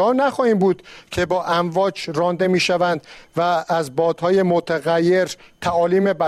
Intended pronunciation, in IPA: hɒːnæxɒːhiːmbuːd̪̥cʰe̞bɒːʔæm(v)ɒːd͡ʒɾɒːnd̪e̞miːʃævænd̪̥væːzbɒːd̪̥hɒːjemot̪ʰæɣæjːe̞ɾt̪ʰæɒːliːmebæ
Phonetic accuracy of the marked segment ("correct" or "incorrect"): correct